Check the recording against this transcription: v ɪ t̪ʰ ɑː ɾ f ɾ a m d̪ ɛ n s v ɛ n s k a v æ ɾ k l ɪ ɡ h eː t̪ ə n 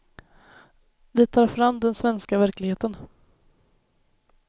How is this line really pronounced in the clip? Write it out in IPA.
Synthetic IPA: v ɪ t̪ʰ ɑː ɾ f ɾ a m d̪ ɛ n s v ɛ n s k a v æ ɾ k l ɪ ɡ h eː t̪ ə n